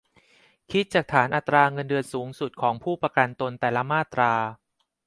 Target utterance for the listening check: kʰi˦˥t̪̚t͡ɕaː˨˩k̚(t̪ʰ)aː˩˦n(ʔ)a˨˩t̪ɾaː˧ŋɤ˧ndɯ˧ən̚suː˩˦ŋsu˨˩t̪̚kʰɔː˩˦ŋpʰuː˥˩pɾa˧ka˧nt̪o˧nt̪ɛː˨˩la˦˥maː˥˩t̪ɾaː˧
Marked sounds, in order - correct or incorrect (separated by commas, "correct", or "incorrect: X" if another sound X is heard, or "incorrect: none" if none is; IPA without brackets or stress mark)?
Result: correct, correct